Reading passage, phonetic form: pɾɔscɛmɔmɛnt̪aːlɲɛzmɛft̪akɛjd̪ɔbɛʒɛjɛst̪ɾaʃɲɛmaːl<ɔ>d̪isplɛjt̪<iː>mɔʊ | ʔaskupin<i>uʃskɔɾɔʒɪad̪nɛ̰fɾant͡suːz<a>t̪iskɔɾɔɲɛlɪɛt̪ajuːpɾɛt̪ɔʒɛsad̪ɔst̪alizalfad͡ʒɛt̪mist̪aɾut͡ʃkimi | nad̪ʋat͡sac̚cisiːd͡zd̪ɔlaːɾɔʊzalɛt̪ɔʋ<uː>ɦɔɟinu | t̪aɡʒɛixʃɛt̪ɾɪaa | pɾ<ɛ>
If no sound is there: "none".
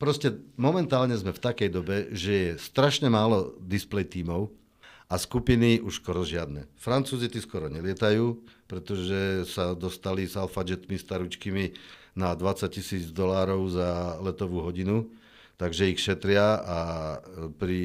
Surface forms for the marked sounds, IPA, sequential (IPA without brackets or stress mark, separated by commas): ɔ, iː, i, i, uː, i